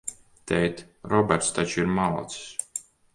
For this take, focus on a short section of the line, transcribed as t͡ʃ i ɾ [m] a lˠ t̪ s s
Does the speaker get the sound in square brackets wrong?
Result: no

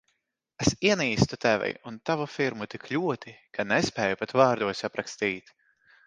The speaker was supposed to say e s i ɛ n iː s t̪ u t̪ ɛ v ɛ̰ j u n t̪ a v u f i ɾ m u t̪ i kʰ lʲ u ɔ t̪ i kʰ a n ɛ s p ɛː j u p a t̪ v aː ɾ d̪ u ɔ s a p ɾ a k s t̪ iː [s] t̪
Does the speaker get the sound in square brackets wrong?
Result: yes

